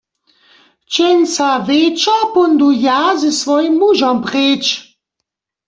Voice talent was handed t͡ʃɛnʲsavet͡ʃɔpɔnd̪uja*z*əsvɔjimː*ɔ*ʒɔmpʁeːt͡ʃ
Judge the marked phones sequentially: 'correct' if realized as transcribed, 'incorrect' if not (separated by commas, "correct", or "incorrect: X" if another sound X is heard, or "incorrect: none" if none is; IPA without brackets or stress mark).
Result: correct, incorrect: u